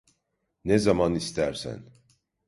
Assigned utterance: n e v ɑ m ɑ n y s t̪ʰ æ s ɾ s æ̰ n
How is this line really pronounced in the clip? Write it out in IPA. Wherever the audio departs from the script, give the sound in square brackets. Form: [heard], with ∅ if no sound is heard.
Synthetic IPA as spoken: n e [z] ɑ m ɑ n [i] s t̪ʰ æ [∅] ɾ s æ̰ n